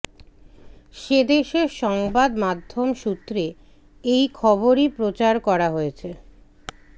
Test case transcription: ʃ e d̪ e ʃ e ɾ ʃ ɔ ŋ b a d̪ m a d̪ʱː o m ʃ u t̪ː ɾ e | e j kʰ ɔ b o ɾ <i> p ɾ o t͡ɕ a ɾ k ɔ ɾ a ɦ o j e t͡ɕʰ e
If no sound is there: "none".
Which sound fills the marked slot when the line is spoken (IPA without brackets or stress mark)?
i